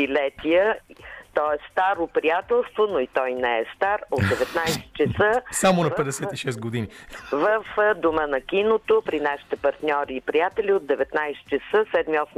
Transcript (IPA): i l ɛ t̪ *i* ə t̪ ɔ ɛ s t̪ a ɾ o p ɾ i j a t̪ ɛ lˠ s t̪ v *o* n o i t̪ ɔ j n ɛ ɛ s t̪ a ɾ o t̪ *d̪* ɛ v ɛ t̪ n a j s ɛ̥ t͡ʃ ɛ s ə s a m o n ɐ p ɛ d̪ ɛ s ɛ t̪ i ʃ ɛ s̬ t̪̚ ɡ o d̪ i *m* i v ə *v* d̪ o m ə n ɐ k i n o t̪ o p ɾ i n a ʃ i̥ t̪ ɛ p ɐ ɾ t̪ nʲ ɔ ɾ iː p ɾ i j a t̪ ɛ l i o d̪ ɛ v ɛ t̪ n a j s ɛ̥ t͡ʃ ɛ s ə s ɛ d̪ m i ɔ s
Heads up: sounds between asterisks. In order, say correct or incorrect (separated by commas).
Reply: correct, correct, correct, incorrect, incorrect